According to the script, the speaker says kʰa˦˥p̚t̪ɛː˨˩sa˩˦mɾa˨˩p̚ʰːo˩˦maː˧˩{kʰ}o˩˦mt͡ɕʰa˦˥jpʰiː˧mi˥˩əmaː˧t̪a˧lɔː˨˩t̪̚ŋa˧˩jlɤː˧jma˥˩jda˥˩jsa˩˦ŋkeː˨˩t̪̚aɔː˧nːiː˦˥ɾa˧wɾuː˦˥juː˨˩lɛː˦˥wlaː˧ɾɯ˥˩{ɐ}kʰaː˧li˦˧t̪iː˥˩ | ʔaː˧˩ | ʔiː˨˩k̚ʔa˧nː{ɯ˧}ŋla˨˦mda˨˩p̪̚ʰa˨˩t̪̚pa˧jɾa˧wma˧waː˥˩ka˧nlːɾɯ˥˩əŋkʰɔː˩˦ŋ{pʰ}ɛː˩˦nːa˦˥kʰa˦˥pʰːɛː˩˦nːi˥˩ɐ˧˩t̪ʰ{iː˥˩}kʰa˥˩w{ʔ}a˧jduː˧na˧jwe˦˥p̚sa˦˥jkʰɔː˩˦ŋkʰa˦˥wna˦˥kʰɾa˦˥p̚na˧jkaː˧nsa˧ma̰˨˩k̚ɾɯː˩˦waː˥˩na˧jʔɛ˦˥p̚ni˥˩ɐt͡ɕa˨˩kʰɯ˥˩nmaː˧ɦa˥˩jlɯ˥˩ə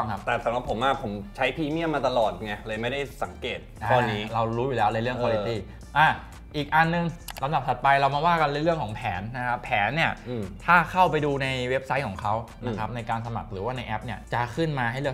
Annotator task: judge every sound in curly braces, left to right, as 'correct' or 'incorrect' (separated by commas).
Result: incorrect, incorrect, correct, correct, incorrect, incorrect